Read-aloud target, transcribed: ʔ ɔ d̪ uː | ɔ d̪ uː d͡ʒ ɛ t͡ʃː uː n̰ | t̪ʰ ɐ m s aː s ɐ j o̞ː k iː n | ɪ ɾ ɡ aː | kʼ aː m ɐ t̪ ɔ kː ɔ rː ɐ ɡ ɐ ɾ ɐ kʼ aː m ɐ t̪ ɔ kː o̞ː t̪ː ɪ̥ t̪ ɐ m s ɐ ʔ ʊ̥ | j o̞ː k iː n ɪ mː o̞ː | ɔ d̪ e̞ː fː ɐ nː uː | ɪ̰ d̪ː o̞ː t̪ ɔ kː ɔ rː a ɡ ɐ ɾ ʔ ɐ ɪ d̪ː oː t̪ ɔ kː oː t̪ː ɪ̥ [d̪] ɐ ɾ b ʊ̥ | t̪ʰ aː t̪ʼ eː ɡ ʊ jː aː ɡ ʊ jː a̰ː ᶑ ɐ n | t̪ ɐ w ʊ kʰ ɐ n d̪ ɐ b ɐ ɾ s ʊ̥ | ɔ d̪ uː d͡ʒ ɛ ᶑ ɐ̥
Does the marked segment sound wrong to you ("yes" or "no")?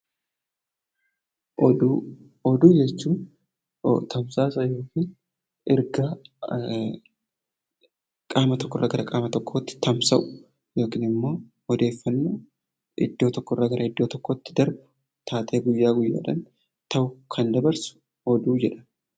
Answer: no